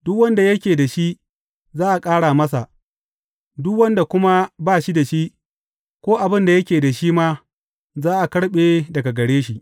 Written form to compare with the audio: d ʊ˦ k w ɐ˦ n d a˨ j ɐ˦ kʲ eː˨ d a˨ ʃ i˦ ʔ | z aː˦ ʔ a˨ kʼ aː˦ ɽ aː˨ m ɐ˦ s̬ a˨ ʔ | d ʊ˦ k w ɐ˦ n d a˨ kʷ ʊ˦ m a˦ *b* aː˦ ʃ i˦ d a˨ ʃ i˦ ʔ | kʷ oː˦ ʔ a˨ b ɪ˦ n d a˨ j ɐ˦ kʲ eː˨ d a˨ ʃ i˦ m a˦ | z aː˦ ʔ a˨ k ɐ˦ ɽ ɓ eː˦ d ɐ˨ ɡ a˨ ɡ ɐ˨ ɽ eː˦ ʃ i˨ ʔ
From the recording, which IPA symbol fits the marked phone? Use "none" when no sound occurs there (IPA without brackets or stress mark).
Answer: b